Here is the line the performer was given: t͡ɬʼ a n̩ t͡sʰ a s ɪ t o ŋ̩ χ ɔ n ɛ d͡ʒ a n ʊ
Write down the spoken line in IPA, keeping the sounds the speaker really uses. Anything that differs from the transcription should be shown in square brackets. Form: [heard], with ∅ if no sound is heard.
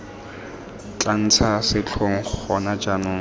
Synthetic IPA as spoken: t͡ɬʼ a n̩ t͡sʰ a s ɪ [t͡ɬʰ] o ŋ̩ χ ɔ n [a] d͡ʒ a n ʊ